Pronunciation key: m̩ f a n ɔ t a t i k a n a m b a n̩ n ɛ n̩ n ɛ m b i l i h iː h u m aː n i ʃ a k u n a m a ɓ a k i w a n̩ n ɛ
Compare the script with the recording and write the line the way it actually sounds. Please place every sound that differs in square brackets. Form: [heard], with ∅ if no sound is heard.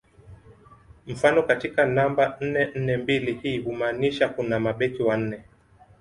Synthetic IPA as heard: m̩ f a n ɔ [k] a t i k a n a m b a n̩ n ɛ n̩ n ɛ m b i l i h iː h u m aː n i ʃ a k u n a m a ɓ [ɛ] k i w a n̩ n ɛ